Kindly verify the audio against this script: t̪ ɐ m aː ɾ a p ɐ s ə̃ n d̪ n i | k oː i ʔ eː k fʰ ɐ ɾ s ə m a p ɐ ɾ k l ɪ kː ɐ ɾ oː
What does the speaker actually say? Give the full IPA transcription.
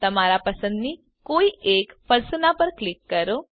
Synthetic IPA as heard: t̪ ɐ m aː ɾ a p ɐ s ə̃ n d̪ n i | k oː i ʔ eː k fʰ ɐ ɾ s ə n a p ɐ ɾ k l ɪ kː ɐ ɾ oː